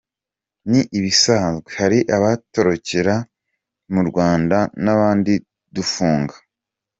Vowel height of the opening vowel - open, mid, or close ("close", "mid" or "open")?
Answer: close